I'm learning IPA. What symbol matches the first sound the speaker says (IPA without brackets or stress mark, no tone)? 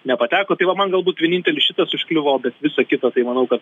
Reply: nʲ